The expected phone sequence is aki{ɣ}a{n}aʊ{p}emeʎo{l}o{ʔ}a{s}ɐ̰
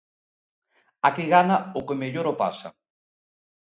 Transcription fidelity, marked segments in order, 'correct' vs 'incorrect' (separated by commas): correct, correct, incorrect, incorrect, incorrect, correct